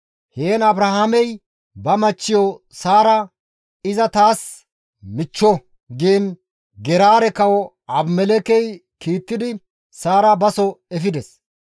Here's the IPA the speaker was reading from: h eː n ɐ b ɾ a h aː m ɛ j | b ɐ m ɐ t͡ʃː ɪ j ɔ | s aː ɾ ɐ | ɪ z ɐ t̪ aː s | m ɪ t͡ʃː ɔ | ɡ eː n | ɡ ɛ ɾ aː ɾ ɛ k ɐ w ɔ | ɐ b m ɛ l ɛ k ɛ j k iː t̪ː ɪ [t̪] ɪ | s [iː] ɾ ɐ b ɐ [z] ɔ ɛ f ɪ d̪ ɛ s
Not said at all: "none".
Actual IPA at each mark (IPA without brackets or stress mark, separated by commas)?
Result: d̪, aː, s